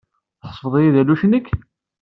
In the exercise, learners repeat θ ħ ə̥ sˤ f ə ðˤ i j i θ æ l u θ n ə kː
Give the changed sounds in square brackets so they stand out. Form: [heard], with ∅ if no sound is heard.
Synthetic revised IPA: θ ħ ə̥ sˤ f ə ðˤ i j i [ð] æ l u [ʃ] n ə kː